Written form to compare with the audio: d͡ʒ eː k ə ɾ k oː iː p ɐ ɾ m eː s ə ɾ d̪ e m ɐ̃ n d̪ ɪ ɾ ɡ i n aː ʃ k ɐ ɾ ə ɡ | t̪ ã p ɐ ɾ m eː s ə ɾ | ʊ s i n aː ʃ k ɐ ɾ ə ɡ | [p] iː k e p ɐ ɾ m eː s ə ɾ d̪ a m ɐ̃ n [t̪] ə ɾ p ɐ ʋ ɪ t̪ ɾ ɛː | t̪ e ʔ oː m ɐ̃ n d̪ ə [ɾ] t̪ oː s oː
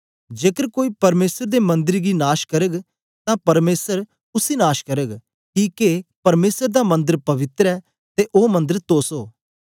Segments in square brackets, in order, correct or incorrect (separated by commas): incorrect, incorrect, correct